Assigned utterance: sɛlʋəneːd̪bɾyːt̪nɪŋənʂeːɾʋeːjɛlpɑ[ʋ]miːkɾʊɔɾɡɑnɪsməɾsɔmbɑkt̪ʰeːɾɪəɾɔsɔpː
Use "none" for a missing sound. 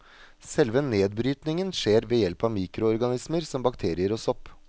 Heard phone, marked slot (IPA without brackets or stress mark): ʋ